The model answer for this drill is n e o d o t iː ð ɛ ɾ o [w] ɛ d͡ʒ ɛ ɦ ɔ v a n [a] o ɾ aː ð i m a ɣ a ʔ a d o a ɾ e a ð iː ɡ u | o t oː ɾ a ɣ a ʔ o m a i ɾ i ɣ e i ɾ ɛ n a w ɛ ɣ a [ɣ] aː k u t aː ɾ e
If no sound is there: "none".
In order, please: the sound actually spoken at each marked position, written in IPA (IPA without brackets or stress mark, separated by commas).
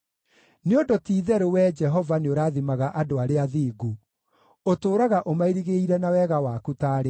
w, e, w